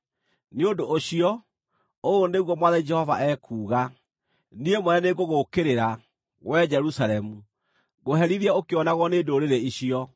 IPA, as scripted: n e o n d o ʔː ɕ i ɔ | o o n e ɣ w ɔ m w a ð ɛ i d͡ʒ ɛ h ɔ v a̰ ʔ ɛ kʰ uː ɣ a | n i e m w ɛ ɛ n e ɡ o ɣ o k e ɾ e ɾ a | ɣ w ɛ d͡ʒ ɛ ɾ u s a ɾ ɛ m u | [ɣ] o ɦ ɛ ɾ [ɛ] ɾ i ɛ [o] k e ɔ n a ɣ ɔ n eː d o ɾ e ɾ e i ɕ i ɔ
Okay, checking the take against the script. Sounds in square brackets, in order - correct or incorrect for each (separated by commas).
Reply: correct, incorrect, correct